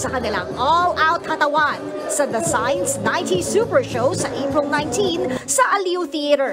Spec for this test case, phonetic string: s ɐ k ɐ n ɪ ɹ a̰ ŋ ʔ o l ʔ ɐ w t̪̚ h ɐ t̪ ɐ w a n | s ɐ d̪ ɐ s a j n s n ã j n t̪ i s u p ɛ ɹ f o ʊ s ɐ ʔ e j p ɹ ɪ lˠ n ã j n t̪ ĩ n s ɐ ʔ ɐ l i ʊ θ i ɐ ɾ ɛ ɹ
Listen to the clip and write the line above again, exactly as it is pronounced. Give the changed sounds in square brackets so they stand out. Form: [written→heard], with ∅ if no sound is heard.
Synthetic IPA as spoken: s ɐ k ɐ n ɪ [ɹ→l] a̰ ŋ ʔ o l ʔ [ɐ→a] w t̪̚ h ɐ t̪ ɐ w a n | s ɐ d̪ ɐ s a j n s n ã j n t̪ i s u p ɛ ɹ [f→ʃ] o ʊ s ɐ ʔ e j p ɹ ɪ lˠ n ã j n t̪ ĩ n s ɐ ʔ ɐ l i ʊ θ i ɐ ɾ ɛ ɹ

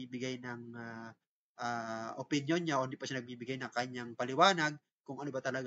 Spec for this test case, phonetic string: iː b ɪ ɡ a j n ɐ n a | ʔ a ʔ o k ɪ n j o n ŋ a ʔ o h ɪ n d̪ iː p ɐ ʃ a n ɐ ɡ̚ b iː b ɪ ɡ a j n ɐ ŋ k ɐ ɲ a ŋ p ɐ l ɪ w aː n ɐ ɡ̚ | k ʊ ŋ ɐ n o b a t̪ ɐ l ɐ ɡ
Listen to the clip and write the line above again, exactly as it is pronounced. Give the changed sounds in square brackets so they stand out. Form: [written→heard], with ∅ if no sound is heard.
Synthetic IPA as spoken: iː b ɪ ɡ a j n ɐ [n→ŋ] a | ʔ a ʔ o [k→p] ɪ n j o n [ŋ→ɲ] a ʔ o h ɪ n d̪ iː p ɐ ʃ a n ɐ ɡ̚ b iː b ɪ ɡ a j n ɐ ŋ k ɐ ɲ a ŋ p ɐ l ɪ w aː n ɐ ɡ̚ | k ʊ ŋ ɐ n o b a t̪ ɐ l ɐ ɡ

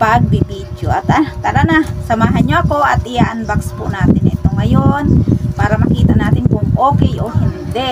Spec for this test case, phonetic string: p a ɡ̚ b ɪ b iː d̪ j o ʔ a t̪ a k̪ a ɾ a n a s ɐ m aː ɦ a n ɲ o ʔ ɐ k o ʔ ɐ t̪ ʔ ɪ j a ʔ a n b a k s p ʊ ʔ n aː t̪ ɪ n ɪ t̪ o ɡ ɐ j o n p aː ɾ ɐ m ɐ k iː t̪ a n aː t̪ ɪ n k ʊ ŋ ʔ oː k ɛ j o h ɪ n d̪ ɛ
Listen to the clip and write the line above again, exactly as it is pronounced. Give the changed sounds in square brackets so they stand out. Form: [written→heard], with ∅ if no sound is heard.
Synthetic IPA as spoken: p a ɡ̚ b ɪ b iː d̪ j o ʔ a t̪ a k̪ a ɾ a n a s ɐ m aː ɦ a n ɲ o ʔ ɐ k o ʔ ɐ t̪ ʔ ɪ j a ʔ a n b a k s p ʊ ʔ n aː t̪ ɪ n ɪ t̪ o [ɡ→ŋ] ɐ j o n p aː ɾ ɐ m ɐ k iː t̪ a n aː t̪ ɪ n k ʊ ŋ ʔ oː k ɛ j o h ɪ n d̪ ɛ

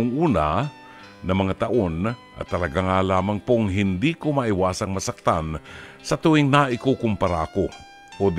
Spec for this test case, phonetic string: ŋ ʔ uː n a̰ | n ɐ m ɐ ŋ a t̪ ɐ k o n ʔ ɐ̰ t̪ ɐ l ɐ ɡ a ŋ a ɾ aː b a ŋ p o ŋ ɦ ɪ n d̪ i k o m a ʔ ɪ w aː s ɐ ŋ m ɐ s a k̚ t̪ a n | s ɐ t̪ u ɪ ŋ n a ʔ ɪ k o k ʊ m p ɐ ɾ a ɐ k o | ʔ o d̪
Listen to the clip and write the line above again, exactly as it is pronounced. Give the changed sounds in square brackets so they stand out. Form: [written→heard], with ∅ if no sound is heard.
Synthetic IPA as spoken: ŋ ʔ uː n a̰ | n ɐ m ɐ ŋ a t̪ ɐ [k→ʔ] o n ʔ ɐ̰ t̪ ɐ l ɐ ɡ a ŋ a [ɾ→l] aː [b→m] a ŋ p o ŋ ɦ ɪ n d̪ i k o m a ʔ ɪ w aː s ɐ ŋ m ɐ s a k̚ t̪ a n | s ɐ t̪ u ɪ ŋ n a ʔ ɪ k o k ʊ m p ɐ ɾ a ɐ k o | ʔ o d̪

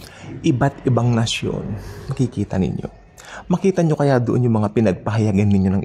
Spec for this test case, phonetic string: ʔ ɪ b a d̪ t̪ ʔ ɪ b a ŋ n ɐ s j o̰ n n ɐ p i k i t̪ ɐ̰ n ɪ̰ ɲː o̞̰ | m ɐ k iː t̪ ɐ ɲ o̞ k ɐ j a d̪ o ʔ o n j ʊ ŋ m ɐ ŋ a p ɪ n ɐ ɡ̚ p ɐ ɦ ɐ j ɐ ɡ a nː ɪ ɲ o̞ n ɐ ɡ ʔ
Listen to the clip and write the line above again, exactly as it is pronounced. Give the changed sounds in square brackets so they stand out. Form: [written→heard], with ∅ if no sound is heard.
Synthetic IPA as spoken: ʔ ɪ b a [d̪→∅] t̪ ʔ ɪ b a ŋ n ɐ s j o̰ n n ɐ [p→k] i k [i→iː] t̪ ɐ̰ n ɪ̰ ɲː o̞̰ | m ɐ k iː t̪ ɐ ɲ o̞ k ɐ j a d̪ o ʔ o n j ʊ ŋ m ɐ ŋ a p ɪ n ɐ ɡ̚ p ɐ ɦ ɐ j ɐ ɡ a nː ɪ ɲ o̞ n ɐ [ɡ→ŋ] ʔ

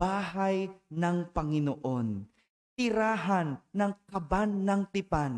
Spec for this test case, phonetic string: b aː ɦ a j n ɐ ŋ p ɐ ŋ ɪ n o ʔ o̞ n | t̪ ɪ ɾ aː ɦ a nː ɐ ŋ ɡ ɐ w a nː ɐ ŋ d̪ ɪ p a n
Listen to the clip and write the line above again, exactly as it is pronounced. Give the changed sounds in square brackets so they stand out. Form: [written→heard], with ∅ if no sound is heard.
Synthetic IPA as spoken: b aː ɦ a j n ɐ ŋ p ɐ ŋ ɪ n o ʔ o̞ n | t̪ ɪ ɾ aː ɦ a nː ɐ ŋ [ɡ→k] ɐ [w→b] a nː ɐ ŋ [d̪→t̪] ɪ p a n

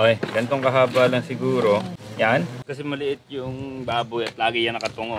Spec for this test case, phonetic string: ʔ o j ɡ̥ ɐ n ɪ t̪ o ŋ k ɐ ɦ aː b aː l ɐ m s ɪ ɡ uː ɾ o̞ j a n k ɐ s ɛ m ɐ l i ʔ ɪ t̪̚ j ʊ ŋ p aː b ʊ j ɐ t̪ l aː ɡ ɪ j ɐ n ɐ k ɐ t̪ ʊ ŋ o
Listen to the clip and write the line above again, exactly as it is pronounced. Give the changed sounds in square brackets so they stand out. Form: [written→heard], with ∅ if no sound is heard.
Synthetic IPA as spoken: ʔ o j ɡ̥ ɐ n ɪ t̪ o ŋ k ɐ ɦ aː b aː l ɐ [m→ŋ] s ɪ ɡ uː ɾ o̞ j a n k ɐ s ɛ m ɐ l [i→ɪ] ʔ ɪ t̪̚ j ʊ ŋ [p→b] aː b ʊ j ɐ t̪ l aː ɡ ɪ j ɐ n ɐ k ɐ t̪ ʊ ŋ o

